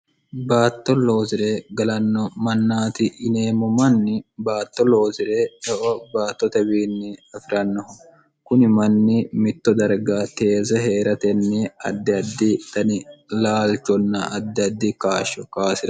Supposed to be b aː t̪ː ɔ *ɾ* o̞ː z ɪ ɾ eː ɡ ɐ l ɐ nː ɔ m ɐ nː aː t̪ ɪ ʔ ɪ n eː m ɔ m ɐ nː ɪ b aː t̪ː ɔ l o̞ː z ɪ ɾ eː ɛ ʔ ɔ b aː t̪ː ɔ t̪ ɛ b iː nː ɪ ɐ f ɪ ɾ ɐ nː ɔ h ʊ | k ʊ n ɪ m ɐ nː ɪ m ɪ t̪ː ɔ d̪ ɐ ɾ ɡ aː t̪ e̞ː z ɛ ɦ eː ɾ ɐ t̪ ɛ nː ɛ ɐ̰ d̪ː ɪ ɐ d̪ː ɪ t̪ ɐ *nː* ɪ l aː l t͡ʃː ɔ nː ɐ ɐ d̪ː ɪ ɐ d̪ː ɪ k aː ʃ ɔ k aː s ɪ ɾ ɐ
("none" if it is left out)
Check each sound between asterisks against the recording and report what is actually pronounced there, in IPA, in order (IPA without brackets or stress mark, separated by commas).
l, n